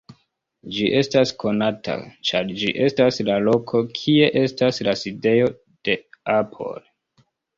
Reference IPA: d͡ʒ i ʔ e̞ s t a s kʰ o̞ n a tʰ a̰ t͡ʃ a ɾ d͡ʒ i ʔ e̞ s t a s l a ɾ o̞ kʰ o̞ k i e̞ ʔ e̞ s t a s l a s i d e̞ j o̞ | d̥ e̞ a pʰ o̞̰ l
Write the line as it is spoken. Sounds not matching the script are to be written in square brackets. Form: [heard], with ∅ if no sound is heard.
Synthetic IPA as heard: d͡ʒ i ʔ e̞ s t a s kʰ o̞ n a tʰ a̰ t͡ʃ a ɾ d͡ʒ i ʔ e̞ s t a s l a [l] o̞ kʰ o̞ [kʰ] i e̞ ʔ e̞ s t a s l a s i d e̞ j o̞ | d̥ e̞ a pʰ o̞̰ l